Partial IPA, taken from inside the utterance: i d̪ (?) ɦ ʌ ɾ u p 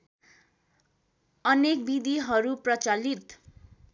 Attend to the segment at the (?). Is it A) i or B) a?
A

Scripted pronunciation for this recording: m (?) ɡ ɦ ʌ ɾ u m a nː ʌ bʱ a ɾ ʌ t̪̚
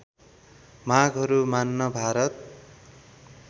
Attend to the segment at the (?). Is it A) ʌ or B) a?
B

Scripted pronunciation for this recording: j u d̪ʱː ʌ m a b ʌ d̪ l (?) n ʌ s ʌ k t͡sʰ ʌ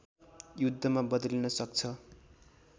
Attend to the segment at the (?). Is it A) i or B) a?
A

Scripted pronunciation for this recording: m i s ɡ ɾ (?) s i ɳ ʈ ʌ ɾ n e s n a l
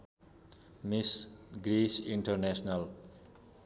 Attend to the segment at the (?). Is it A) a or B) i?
B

